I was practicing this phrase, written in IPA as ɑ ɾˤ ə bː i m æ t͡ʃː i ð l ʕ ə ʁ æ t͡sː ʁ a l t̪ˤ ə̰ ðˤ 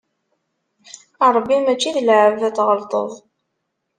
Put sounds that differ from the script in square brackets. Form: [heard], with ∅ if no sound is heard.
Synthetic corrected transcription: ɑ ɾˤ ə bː i m æ t͡ʃː i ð l ʕ ə [v] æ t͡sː ʁ [ə] l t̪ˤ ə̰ ðˤ